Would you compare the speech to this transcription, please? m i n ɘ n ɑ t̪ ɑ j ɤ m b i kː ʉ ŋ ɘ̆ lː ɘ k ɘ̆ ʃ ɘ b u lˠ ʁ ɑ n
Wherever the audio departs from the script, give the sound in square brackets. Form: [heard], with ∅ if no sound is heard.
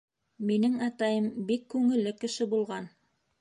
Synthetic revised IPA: m i n ɘ [ŋ] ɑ t̪ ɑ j ɤ m b i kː ʉ ŋ ɘ̆ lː ɘ k ɘ̆ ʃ ɘ b u lˠ ʁ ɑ n